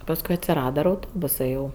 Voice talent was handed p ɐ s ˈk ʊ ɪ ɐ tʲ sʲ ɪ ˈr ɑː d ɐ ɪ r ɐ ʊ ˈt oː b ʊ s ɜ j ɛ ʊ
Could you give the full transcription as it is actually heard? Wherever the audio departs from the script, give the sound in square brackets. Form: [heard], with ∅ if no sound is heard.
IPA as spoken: p ɐ s ˈk ʊ ɪ ɐ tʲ sʲ ɪ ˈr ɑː d ɐ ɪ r ɐ ʊ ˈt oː b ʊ s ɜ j ɛ ʊ